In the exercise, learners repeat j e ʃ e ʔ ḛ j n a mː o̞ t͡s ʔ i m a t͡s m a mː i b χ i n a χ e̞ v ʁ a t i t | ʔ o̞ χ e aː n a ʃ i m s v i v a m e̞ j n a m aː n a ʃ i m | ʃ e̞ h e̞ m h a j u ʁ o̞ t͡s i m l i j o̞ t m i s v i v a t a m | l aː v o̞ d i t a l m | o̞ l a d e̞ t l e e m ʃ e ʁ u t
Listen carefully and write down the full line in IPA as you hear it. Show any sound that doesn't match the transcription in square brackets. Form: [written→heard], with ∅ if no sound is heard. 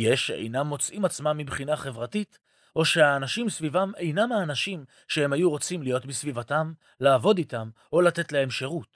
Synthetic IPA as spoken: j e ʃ e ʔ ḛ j n a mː o̞ t͡s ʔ i m a t͡s m a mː i b χ i n a χ e̞ v ʁ a t i t | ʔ o̞ [χ→ʃ] e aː n a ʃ i m s v i v a m e̞ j n a m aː n a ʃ i m | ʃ e̞ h e̞ m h a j u ʁ o̞ t͡s i m l i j o̞ t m i s v i v a t a m | l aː v o̞ d i t a [l→∅] m | o̞ l a [d→t] e̞ t l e e m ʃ e ʁ u t